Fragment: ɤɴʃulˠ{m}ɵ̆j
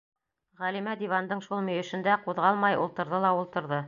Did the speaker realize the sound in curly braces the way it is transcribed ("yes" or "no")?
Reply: yes